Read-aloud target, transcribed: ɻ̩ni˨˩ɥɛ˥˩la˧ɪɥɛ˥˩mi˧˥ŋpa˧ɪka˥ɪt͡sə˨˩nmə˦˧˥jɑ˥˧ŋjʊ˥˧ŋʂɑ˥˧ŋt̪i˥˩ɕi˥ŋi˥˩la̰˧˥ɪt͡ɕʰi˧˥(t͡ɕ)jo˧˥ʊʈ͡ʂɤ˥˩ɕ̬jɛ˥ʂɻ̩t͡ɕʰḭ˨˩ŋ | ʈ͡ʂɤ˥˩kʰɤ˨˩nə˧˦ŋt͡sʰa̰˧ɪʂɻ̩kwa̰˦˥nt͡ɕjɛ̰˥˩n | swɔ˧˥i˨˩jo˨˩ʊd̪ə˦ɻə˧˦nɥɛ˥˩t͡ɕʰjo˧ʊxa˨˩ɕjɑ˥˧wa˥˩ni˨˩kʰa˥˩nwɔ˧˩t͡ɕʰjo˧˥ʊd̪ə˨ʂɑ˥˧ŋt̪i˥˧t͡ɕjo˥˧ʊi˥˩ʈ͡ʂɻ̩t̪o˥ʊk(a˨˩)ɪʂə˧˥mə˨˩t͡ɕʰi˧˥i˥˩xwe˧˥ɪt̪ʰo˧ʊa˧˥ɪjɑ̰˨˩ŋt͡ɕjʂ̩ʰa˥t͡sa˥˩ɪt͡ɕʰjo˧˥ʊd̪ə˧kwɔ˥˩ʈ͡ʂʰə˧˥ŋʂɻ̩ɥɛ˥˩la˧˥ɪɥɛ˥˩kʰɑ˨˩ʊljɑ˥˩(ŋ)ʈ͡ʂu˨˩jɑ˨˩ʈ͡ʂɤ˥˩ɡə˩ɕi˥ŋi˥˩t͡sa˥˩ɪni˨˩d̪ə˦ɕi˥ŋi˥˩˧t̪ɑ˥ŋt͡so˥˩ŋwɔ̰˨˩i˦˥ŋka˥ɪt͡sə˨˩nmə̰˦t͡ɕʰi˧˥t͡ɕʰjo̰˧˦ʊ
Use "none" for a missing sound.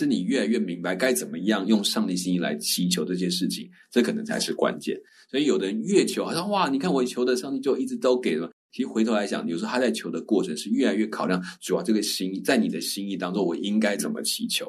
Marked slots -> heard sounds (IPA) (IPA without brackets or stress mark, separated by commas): t͡ɕʰ, e˨˩, ŋ